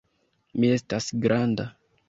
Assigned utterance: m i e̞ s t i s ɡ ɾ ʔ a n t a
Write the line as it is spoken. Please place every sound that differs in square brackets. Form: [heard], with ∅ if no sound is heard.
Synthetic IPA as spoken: m i e̞ s t [a] s ɡ ɾ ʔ a n [d] a